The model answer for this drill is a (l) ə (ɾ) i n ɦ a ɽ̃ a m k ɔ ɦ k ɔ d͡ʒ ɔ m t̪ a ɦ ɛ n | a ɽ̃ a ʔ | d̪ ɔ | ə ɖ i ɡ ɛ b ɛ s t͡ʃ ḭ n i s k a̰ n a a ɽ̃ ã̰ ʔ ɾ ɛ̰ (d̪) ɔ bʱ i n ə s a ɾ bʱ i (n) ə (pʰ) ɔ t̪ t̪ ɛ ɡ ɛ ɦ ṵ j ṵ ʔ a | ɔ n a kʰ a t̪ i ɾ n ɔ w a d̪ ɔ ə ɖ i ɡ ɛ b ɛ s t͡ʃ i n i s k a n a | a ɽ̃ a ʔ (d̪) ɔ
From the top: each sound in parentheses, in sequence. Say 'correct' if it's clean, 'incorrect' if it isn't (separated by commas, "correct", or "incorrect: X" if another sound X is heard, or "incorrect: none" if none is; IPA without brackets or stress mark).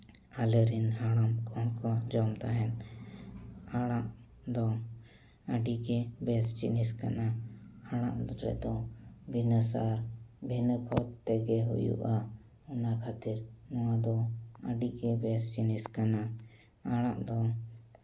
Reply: correct, correct, correct, correct, incorrect: kʰ, correct